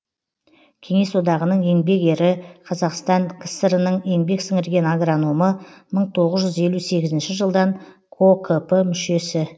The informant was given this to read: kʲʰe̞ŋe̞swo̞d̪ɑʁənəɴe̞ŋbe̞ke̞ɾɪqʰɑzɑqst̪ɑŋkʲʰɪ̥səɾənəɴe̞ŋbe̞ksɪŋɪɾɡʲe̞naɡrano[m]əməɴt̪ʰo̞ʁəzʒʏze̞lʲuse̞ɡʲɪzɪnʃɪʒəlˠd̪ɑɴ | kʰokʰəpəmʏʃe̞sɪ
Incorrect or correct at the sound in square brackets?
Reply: correct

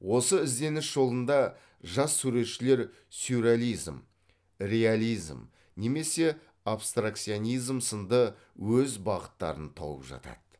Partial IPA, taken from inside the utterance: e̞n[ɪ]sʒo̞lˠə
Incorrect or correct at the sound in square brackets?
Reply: correct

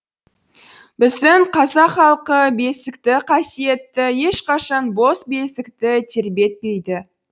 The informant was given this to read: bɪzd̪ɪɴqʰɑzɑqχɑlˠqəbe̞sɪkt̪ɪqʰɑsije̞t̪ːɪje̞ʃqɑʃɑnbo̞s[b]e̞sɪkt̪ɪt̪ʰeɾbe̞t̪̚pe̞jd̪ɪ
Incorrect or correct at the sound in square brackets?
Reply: correct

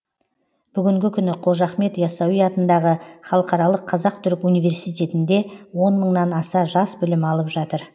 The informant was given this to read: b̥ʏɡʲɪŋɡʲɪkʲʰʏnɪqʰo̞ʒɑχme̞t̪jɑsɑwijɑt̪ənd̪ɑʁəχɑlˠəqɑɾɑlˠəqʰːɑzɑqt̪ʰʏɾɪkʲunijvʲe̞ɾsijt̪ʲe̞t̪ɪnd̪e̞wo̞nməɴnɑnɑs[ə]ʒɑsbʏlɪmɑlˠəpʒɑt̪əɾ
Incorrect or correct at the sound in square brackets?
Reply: incorrect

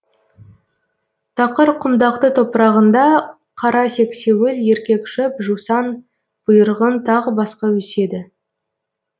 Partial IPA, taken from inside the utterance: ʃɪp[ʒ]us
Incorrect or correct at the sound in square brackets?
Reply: correct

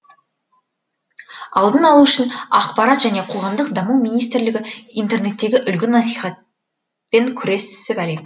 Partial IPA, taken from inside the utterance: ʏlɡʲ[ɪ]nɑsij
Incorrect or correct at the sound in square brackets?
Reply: correct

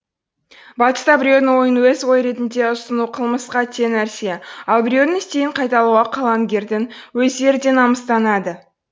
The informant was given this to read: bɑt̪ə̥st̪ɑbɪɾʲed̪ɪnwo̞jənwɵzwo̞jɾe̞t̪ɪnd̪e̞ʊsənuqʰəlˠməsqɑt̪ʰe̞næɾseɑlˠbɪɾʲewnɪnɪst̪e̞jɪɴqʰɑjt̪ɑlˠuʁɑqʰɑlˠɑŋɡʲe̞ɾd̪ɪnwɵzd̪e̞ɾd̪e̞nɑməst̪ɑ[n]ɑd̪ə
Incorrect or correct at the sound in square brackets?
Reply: correct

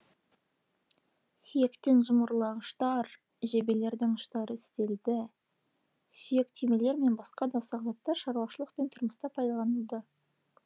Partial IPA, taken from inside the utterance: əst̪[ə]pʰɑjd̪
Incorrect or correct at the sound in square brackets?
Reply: incorrect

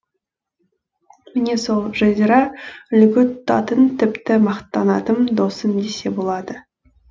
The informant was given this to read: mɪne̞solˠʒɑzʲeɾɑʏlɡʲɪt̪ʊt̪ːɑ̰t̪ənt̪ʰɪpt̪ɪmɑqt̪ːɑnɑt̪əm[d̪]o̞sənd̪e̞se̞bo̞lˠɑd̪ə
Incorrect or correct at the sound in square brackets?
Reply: correct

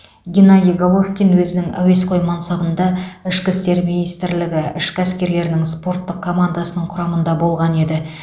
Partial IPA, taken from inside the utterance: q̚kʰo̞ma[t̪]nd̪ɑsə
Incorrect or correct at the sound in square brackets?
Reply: incorrect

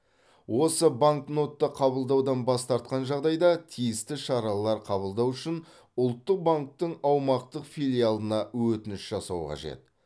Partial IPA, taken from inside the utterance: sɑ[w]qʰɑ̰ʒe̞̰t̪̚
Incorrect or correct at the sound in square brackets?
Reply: correct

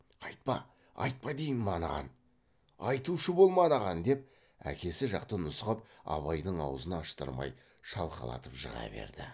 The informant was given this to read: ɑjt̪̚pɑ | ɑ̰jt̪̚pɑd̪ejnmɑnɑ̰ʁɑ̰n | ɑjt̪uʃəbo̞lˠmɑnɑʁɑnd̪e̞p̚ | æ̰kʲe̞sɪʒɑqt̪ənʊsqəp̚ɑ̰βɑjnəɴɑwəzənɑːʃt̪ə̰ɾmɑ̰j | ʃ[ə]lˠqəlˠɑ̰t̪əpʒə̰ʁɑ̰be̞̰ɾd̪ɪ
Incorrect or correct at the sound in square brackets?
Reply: incorrect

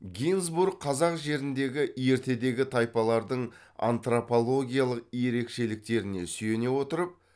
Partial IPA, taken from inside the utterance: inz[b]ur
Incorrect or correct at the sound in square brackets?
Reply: correct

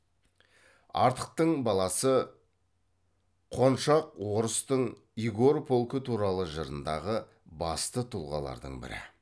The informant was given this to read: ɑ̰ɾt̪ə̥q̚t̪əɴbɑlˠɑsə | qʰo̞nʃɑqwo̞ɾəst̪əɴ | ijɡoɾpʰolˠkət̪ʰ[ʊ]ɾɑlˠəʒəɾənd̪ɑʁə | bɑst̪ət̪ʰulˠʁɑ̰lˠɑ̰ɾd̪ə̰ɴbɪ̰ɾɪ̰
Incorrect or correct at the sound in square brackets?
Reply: incorrect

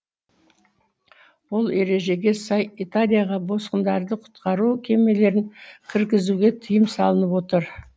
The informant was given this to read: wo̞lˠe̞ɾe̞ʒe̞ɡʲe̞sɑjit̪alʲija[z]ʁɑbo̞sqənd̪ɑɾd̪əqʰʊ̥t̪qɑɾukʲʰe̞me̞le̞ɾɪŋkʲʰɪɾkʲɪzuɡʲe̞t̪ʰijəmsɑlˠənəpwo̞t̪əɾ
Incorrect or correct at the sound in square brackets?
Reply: incorrect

